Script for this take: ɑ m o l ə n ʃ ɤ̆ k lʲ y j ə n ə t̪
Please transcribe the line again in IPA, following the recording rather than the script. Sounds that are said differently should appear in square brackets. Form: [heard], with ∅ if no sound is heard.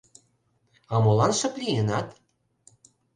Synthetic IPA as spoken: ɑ m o l [ɑ] n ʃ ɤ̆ [p] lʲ [i] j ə n [ɑ] t̪